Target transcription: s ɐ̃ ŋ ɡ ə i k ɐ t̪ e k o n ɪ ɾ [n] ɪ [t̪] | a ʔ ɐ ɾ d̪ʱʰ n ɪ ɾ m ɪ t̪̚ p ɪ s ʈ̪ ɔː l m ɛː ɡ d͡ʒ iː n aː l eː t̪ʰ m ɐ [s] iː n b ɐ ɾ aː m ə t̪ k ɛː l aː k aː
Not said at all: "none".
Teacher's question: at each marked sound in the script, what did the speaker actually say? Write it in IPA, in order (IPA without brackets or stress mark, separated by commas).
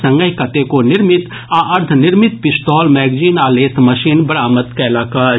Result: m, t̪, ʃ